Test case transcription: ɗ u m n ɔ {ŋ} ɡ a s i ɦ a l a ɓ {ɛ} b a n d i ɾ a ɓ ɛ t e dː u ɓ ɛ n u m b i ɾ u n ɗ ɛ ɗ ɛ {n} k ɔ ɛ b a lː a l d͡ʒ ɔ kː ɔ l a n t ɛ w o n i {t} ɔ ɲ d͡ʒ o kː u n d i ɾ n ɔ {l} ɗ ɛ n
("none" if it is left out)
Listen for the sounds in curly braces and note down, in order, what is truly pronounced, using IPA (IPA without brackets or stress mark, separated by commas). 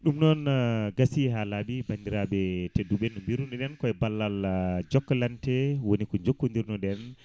n, i, n, k, none